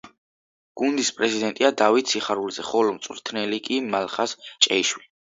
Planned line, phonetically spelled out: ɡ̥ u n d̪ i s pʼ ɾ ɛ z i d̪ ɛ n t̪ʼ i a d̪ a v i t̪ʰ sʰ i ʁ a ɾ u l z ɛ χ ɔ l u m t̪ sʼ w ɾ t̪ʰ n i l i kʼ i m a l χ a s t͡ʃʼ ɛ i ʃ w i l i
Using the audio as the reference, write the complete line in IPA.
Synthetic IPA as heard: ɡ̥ u n d̪ i s pʼ ɾ ɛ z i d̪ ɛ n t̪ʼ i a d̪ a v i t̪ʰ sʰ i χ a ɾ u l z ɛ χ ɔ l ɔ m t̪ sʼ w ɾ t̪ʰ n ɛ l i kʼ i m a l χ a s t͡ʃʼ ɛ i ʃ w i l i